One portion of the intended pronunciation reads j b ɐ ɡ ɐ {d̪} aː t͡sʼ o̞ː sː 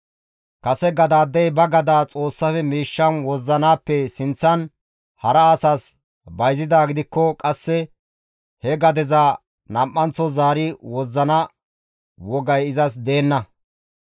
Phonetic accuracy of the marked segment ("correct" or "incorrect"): correct